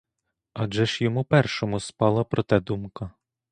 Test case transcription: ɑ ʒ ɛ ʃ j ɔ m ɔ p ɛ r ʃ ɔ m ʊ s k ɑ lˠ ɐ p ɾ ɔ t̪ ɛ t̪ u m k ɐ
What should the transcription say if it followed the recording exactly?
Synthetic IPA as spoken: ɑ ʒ ɛ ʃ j ɔ m u p ɛ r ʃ ɔ m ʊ s p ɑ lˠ ɐ p ɾ ɔ t̪ ɛ d̪ u m k ɐ